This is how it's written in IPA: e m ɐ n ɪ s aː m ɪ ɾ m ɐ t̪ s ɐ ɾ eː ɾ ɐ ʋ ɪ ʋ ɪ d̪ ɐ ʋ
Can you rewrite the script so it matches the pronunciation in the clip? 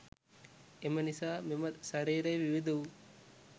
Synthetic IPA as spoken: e m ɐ n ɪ s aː m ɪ m ɐ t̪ s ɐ ɾ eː ɾ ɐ ʋ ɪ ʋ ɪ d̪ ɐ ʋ